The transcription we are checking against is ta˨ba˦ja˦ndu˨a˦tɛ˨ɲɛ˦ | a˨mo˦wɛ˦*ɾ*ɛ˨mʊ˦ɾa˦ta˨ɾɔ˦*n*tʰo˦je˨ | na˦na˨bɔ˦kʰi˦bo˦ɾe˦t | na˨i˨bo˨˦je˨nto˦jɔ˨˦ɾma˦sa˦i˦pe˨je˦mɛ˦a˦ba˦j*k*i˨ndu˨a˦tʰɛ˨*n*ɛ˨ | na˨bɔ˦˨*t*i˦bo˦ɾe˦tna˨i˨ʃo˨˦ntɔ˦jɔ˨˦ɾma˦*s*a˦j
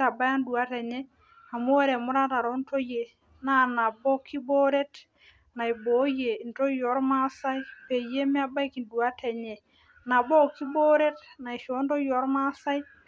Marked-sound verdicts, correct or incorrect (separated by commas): correct, correct, correct, incorrect, incorrect, correct